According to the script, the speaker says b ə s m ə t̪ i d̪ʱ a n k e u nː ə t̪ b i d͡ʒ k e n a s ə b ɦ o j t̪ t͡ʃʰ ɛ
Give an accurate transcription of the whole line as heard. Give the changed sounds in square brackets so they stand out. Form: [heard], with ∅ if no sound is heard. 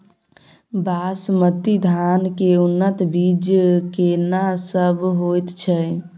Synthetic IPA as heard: b [a] s m ə t̪ i d̪ʱ a n k e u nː ə t̪ b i d͡ʒ k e n a s ə b ɦ o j t̪ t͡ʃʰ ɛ